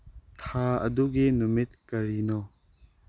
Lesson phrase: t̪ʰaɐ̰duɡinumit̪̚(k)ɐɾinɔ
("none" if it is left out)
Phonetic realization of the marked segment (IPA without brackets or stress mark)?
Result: k